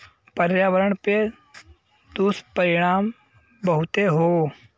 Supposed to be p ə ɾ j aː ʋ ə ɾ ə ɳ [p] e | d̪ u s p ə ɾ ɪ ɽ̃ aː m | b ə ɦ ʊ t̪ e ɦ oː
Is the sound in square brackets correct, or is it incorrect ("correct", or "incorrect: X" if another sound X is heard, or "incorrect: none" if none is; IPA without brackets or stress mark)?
correct